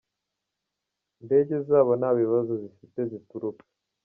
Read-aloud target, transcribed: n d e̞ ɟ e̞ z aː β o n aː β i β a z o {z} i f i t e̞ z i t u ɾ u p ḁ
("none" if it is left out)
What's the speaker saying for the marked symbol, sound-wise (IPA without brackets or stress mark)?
z